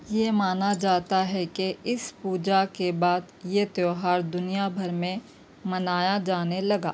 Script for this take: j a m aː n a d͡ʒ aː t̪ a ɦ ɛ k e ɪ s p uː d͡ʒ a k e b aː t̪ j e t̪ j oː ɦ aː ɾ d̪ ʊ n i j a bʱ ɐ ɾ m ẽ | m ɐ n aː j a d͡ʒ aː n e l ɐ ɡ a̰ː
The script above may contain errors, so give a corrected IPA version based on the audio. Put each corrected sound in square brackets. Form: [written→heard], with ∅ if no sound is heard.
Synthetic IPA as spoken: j [a→e] m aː n a d͡ʒ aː t̪ a ɦ ɛ k e ɪ s p uː d͡ʒ a k e b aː [t̪→d̪] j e t̪ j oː ɦ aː ɾ d̪ ʊ n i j a bʱ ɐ ɾ m ẽ | m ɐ n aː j a d͡ʒ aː n e l ɐ ɡ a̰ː